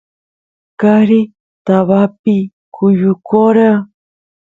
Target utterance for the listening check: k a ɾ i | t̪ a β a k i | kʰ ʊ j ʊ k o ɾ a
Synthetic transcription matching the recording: k a ɾ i | t̪ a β a p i | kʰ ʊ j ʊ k o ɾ a